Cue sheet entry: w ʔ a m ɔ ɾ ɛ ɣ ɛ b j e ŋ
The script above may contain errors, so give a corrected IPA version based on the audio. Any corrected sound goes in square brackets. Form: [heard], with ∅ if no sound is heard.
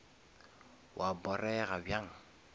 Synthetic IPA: w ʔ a [b] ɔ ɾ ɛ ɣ [a] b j [a] ŋ